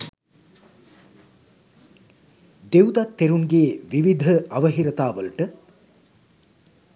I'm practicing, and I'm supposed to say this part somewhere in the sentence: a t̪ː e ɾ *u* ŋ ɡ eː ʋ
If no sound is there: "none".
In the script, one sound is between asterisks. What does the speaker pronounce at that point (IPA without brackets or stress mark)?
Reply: u